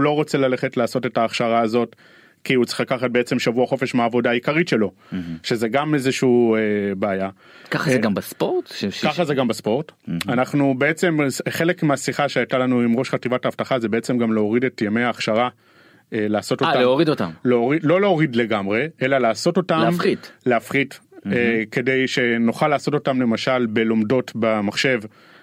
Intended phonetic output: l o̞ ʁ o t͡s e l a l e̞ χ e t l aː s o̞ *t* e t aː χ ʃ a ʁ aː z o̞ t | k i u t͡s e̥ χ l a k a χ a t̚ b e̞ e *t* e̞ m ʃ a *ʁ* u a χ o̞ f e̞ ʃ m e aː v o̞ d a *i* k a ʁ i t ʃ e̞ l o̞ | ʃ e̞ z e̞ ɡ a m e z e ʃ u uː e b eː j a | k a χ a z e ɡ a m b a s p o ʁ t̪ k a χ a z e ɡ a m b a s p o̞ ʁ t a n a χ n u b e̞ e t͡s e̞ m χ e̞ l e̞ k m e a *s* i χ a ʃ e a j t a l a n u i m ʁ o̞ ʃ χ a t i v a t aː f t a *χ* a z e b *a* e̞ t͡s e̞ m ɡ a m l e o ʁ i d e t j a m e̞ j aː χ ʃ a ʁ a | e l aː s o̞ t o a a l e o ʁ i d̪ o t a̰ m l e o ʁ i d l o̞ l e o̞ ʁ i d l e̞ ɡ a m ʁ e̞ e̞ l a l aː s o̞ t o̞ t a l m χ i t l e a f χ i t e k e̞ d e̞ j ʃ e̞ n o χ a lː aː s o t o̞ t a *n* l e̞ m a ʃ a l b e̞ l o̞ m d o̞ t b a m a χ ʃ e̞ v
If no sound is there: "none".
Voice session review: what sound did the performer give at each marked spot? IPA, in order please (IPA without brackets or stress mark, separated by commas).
t, t͡s, v, i, s, χ, e, m